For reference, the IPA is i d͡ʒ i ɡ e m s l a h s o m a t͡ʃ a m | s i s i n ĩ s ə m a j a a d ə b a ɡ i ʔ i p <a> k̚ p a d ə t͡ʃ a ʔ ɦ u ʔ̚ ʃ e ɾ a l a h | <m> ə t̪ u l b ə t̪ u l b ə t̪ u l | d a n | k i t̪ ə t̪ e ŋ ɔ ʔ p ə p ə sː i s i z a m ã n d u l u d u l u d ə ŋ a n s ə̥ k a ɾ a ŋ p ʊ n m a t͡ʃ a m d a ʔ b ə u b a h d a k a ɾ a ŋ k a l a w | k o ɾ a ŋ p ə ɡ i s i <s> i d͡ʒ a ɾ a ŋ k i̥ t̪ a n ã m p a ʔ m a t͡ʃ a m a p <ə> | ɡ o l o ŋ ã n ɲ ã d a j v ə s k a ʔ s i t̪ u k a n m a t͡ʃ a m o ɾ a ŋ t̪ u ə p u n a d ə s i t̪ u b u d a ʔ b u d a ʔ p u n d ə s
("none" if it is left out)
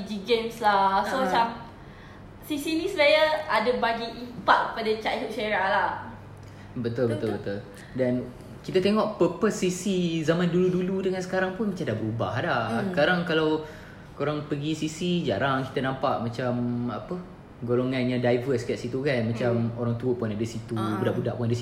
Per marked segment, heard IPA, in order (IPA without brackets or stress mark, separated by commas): a, b, s, ə